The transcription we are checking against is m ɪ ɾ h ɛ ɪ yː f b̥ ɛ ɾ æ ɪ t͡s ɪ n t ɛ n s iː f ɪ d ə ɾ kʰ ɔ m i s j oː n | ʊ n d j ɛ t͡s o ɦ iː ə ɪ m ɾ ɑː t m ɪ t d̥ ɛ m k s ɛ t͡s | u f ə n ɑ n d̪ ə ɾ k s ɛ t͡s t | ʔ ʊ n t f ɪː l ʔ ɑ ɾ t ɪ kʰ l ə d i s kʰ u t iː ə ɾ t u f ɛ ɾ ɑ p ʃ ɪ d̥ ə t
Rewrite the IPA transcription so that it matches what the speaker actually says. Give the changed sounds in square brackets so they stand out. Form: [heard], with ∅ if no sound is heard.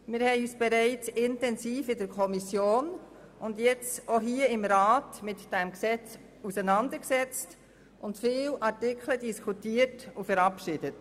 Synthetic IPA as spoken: m ɪ ɾ h ɛ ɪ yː [s] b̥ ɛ ɾ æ ɪ t͡s ɪ n t ɛ n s iː f ɪ d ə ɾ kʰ ɔ m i s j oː n | ʊ n d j ɛ t͡s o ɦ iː ə ɪ m ɾ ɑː t m ɪ t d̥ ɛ m k s ɛ t͡s | u [s] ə n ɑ n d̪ ə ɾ k s ɛ t͡s t | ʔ ʊ n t f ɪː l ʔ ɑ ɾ t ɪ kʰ l ə d i s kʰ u t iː ə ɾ t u f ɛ ɾ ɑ p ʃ ɪ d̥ ə t